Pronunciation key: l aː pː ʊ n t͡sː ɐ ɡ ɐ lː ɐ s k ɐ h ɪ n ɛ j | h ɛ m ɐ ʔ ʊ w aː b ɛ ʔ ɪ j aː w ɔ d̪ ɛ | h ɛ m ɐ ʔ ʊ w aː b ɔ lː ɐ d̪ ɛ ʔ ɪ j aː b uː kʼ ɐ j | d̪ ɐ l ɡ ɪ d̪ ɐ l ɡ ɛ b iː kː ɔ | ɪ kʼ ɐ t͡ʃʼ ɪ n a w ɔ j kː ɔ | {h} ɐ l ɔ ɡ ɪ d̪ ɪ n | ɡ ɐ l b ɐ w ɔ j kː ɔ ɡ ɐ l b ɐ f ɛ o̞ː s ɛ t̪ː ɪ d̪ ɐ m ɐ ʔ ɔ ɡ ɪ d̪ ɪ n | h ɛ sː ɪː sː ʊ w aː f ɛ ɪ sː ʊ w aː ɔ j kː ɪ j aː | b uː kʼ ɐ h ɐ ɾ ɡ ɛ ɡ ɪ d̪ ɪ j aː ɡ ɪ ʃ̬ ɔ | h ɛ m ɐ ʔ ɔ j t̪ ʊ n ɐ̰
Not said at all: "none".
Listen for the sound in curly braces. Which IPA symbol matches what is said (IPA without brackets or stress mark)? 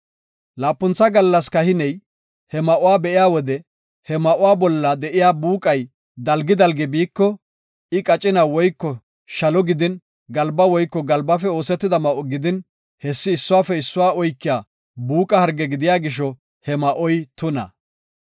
ʃ